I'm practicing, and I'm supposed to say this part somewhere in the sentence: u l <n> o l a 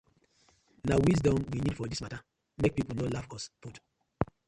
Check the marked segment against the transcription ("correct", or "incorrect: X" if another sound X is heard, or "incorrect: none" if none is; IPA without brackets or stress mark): correct